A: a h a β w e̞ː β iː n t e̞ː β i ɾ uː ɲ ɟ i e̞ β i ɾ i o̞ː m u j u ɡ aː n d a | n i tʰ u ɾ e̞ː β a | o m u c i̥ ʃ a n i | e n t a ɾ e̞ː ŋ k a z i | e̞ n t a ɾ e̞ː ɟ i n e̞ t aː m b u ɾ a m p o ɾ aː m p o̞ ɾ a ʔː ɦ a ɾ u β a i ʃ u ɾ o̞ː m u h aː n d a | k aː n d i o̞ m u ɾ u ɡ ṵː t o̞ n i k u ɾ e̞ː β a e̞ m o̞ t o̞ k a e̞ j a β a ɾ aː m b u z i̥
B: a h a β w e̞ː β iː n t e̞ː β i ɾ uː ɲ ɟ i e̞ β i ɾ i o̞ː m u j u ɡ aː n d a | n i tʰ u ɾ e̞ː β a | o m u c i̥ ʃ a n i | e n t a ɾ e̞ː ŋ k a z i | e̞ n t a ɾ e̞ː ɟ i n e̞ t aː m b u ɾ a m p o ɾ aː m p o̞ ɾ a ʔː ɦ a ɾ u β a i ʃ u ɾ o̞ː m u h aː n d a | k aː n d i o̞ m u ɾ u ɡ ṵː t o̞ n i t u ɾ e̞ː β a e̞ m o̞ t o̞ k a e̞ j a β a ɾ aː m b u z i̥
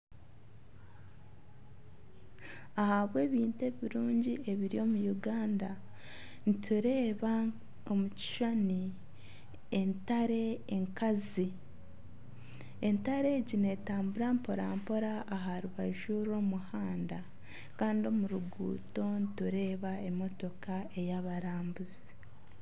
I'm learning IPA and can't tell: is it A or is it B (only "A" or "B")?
B